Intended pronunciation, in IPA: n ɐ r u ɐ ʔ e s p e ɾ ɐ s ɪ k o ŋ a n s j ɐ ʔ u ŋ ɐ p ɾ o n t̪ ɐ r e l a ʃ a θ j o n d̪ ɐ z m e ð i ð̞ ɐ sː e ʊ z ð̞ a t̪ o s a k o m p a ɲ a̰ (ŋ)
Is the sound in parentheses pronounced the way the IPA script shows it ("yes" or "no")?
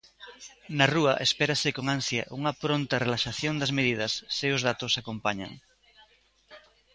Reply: yes